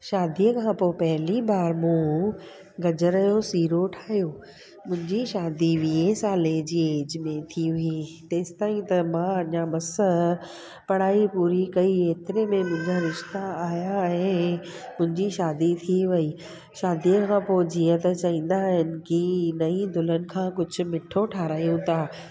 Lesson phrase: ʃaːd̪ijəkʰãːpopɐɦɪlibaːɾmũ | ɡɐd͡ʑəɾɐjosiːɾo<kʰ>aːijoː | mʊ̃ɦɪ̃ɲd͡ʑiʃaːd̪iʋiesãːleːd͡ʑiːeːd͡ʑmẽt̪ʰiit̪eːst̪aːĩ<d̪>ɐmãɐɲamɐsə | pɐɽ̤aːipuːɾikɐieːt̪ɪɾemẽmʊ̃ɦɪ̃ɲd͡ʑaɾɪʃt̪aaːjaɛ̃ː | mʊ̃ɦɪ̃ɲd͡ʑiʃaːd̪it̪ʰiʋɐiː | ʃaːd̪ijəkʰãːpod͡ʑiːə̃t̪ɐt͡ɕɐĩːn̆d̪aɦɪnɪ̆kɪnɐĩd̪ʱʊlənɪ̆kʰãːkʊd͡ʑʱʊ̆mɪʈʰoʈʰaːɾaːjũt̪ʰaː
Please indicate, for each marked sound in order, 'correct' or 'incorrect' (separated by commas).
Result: incorrect, incorrect